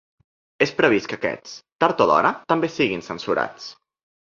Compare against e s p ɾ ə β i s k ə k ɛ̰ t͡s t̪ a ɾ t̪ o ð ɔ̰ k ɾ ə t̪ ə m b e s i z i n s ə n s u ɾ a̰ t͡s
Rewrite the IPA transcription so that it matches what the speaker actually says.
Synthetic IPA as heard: e s p ɾ ə β i s k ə k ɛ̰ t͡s t̪ a ɾ t̪ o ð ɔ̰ ɾ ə t̪ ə m b e s i ɣ i n s ə n s u ɾ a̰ t͡s